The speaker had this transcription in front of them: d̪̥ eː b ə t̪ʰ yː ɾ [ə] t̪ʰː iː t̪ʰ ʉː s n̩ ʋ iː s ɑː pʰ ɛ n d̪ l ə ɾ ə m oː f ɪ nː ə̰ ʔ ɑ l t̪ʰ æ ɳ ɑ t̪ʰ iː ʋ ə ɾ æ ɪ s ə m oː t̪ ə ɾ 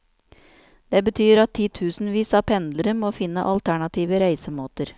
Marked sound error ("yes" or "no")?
yes